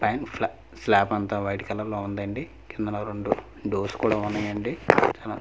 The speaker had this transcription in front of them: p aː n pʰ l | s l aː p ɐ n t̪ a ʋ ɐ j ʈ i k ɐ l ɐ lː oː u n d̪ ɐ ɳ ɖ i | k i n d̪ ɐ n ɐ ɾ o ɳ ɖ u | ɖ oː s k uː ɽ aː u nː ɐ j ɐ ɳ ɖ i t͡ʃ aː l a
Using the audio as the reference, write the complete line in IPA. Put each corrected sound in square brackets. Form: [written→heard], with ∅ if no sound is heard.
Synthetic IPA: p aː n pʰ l | s l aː p ɐ n t̪ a ʋ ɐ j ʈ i k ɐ l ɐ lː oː u n d̪ ɐ ɳ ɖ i | k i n d̪ ɐ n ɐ ɾ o ɳ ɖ u | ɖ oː s k uː ɽ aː u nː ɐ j ɐ ɳ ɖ i t͡ʃ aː l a